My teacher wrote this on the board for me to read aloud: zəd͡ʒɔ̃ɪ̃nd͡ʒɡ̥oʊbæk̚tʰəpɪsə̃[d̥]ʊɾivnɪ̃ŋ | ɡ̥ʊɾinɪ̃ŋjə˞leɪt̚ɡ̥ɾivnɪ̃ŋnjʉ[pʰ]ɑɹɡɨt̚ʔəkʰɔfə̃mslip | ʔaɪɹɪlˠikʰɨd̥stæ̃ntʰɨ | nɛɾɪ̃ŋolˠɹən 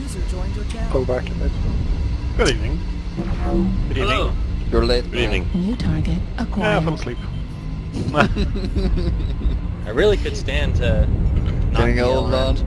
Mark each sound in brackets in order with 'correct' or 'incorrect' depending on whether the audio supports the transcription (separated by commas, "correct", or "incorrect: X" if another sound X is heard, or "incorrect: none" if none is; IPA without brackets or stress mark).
incorrect: ɡ̥, incorrect: tʰ